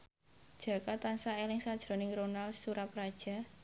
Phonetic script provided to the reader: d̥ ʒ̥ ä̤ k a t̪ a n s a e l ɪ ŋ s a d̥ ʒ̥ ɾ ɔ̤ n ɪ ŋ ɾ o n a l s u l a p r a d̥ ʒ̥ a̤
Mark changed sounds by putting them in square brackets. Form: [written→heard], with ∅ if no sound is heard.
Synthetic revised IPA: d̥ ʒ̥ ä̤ k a t̪ a n s a e l ɪ ŋ s a d̥ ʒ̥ ɾ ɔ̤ n ɪ ŋ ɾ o n a l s u [l→ɾ] a p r a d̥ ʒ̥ a̤